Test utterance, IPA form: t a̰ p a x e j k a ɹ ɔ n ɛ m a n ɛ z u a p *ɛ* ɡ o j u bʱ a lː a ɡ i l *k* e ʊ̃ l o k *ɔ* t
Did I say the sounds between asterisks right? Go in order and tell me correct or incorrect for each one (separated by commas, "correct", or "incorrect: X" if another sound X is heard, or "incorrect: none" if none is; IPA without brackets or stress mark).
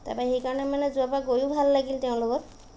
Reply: incorrect: a, incorrect: t, correct